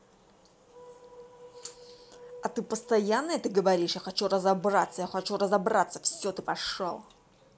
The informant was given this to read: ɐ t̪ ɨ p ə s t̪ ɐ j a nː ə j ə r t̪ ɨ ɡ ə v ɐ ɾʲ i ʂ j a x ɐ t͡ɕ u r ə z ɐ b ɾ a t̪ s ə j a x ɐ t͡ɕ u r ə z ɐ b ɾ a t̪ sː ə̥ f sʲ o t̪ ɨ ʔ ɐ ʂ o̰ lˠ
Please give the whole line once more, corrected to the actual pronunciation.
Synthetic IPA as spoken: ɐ t̪ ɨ p ə s t̪ ɐ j a nː ə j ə t̪ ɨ ɡ ə v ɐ ɾʲ i ʂ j a x ɐ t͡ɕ u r ə z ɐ b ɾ a t̪ s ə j a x ɐ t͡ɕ u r ə z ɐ b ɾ a t̪ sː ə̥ f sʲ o t̪ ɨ p ɐ ʂ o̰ lˠ